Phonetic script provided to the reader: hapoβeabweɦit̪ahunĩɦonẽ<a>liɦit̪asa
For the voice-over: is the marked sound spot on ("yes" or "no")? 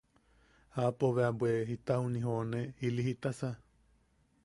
no